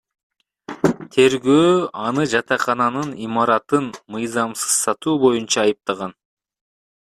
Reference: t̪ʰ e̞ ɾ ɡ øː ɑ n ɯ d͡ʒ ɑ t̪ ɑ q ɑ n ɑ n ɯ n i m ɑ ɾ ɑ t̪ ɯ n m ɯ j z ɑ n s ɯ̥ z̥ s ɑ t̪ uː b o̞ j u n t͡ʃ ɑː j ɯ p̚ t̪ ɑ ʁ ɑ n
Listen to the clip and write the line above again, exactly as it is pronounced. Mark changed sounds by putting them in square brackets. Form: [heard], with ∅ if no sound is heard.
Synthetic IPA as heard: t̪ʰ e̞ ɾ ɡ øː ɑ n ɯ d͡ʒ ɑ t̪ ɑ q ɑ n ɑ n ɯ n i m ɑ ɾ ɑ t̪ ɯ n m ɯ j z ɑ [m] s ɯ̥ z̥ s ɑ t̪ uː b o̞ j u n t͡ʃ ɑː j ɯ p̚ t̪ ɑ ʁ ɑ n